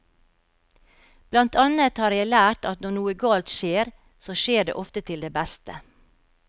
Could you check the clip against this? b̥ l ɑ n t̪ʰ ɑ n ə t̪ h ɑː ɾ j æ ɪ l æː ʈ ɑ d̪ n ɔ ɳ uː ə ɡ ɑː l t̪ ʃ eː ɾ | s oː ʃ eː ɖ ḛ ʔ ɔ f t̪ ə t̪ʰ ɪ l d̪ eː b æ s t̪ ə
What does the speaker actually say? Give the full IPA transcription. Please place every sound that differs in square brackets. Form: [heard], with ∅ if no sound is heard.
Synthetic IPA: b̥ l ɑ n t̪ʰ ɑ n ə t̪ h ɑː ɾ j æ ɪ l æː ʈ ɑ [t̪] n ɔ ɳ uː ə ɡ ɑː l t̪ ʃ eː ɾ | s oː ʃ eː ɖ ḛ ʔ ɔ f t̪ ə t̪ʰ ɪ l d̪ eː b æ s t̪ ə